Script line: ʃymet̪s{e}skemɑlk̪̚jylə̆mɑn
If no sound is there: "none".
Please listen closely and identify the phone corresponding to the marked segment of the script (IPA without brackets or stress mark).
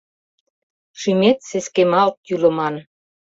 e